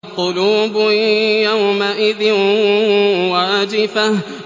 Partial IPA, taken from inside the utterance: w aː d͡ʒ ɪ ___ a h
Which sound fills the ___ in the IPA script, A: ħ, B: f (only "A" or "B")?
B